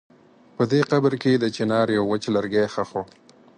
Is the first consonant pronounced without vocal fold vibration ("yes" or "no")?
yes